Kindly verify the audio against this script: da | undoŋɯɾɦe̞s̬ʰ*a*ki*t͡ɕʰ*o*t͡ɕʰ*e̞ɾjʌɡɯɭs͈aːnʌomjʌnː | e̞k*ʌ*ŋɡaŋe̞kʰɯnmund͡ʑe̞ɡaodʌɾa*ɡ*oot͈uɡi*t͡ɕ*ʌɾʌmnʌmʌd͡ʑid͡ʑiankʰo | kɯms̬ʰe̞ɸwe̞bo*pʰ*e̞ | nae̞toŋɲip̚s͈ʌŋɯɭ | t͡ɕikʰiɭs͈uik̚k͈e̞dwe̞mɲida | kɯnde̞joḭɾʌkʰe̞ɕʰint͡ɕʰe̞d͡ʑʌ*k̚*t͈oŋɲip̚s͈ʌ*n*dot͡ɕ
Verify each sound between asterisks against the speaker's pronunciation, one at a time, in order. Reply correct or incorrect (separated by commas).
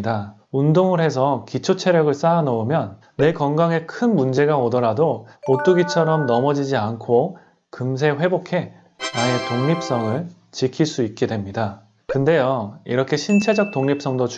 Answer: incorrect, correct, correct, correct, incorrect, incorrect, incorrect, correct, incorrect